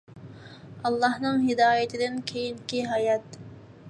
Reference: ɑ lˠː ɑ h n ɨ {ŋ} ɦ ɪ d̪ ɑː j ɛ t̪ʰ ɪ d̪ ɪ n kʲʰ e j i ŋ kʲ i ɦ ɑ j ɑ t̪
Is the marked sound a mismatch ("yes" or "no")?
no